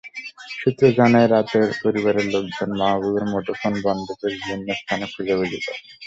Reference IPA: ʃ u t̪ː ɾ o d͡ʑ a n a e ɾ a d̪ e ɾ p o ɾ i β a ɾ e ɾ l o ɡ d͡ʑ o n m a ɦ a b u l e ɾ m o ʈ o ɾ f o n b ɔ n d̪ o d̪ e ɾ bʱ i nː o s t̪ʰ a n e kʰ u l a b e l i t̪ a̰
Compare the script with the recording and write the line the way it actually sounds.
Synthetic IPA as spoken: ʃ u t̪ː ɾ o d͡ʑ a n a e ɾ a t̪ e ɾ p o ɾ i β a ɾ e ɾ l o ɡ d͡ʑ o n m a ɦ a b u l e ɾ m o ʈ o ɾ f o n b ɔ n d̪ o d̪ e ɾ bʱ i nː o s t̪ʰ a n e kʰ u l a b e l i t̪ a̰